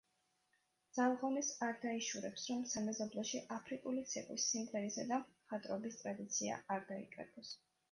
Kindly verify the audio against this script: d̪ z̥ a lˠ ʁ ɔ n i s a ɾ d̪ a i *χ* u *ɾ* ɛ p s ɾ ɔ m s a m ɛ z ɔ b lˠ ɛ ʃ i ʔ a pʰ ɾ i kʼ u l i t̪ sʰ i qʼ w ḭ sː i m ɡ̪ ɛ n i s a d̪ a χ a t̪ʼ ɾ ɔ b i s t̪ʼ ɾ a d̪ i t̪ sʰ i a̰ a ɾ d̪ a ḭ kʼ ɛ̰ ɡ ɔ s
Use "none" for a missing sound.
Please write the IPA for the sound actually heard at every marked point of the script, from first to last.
ʃ, ɾ

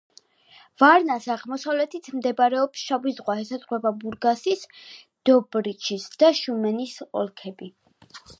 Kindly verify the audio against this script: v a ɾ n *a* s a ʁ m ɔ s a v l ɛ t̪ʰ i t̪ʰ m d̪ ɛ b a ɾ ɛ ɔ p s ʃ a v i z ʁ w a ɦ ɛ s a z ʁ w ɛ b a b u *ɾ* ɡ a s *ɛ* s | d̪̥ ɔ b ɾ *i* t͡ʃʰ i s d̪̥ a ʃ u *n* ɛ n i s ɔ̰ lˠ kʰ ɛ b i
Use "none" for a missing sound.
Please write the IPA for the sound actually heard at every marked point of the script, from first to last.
a, ɾ, i, i, m

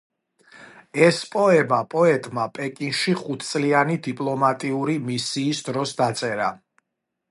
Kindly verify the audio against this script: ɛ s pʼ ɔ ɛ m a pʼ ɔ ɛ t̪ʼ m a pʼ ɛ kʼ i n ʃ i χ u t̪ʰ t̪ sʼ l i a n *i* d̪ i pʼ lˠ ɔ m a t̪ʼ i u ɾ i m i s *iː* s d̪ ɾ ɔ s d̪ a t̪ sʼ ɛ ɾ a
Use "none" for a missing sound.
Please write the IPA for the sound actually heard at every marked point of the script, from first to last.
i, iː

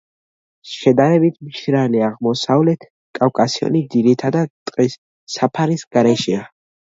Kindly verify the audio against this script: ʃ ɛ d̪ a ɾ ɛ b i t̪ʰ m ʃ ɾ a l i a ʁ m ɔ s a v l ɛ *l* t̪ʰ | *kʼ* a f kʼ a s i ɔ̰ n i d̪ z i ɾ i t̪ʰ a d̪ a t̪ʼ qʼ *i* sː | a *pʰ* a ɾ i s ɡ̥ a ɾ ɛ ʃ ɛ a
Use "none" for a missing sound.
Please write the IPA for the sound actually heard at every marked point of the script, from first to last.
none, kʼ, i, pʰ

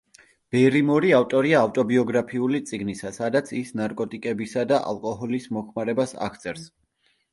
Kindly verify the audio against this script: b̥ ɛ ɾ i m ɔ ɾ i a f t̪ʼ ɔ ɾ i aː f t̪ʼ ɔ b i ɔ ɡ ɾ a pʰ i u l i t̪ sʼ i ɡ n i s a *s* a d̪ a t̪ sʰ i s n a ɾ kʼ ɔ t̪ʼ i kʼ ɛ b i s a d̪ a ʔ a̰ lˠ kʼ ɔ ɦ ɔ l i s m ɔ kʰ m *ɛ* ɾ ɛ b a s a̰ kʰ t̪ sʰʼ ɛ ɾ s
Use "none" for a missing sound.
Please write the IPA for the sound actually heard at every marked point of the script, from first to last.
s, a

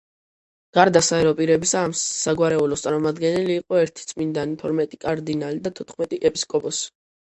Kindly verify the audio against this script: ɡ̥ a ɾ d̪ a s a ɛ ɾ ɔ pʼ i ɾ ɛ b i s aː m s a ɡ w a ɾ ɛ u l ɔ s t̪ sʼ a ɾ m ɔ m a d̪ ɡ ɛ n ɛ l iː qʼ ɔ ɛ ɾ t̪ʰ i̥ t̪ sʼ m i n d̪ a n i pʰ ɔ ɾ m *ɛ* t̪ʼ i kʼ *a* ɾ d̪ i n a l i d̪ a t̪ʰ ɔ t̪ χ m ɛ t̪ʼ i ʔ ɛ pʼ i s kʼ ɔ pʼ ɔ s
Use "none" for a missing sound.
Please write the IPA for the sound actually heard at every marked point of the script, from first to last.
ɛ, a

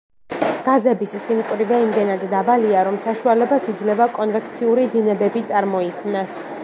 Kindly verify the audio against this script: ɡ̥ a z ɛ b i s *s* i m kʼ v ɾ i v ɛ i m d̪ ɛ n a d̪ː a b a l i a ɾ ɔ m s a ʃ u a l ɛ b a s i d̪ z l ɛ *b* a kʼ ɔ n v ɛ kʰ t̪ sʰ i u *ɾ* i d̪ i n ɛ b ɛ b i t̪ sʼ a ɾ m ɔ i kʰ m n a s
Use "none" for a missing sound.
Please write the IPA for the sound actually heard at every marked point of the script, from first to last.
s, v, ɾ

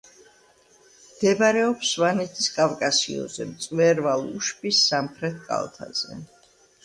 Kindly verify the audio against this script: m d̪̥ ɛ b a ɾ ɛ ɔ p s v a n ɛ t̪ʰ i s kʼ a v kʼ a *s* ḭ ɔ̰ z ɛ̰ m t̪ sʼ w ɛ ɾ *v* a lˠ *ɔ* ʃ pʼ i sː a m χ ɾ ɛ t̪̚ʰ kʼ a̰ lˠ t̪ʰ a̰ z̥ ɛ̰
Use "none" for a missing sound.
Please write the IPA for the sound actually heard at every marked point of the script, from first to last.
s, v, u

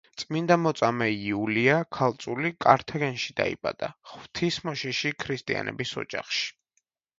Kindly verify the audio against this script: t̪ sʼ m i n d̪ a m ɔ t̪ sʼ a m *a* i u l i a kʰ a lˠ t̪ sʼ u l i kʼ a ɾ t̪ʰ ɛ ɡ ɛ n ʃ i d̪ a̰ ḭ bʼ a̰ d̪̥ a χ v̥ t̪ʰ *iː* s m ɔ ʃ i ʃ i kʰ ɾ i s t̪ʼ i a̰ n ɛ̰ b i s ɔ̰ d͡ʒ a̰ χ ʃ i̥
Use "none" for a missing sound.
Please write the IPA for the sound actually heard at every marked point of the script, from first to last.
ɛ, i

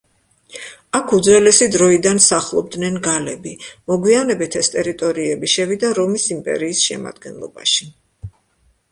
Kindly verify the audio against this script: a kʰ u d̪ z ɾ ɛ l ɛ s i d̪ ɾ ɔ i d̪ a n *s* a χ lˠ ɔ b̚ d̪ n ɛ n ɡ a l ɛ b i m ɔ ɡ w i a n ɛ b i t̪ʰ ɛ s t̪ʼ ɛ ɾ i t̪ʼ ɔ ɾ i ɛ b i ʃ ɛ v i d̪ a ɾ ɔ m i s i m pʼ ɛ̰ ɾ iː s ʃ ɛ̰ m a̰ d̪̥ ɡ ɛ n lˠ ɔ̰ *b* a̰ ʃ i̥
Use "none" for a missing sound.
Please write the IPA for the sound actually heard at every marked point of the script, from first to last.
s, b

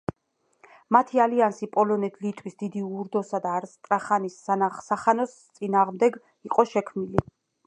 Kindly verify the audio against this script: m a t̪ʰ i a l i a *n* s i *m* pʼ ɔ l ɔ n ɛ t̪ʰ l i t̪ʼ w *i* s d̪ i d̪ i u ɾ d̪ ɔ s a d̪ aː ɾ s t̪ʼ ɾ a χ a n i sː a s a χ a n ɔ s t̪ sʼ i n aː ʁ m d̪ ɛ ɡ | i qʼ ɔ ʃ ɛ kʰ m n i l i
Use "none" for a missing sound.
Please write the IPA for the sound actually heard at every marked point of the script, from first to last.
n, none, i

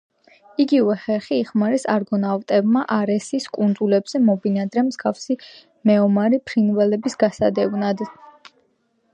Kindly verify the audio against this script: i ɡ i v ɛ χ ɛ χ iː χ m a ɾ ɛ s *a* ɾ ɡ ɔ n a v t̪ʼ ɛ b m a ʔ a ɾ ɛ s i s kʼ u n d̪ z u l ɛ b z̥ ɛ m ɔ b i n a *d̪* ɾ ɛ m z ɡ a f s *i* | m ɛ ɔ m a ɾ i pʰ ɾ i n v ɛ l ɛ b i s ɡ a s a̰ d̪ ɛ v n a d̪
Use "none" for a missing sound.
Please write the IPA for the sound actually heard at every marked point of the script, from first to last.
a, d̪, i

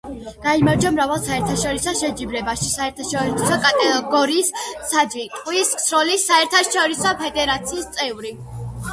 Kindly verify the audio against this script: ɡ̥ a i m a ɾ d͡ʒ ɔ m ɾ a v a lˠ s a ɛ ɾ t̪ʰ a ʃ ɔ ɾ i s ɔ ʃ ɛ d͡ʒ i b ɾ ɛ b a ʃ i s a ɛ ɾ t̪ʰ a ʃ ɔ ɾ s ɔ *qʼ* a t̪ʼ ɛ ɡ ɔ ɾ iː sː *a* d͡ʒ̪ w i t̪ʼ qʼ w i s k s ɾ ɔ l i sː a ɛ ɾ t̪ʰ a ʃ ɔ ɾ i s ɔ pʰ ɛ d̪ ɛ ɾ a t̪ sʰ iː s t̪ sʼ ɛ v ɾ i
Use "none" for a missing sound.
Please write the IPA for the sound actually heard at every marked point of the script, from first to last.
kʼ, a

